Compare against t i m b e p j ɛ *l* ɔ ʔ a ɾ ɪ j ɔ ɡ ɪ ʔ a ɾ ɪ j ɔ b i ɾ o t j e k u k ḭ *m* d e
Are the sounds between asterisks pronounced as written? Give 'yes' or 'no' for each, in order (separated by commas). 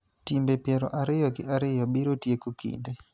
no, no